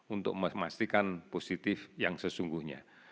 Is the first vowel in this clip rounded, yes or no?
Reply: yes